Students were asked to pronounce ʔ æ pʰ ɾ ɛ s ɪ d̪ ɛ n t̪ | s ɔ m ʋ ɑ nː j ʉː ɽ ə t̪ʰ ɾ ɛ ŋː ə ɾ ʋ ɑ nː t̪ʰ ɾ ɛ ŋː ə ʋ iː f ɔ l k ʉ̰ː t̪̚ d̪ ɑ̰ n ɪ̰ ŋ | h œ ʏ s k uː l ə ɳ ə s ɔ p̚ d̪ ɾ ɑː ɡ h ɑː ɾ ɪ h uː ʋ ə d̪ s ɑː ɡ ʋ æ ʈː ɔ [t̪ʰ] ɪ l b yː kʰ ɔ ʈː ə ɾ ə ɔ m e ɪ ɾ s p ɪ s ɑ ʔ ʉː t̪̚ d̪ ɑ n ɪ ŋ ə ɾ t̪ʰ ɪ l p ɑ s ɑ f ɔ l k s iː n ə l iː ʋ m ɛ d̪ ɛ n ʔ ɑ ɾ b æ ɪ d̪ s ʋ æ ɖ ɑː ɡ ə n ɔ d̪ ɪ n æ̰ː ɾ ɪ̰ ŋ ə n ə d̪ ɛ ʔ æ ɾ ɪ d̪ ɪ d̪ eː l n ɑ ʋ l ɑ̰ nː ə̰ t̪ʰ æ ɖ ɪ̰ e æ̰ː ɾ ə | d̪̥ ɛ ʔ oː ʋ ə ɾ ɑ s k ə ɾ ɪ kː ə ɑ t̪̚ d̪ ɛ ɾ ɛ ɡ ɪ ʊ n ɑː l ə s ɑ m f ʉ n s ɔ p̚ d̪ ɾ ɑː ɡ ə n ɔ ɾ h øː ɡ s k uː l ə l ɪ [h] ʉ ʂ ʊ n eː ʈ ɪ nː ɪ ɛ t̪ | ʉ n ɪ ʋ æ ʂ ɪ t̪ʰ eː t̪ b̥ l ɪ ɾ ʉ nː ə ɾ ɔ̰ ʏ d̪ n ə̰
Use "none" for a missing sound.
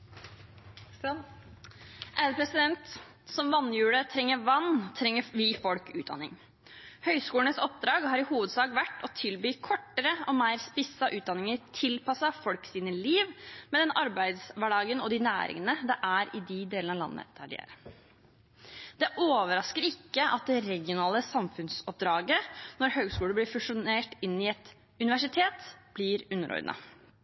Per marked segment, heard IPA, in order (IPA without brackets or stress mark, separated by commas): t̪ʰ, f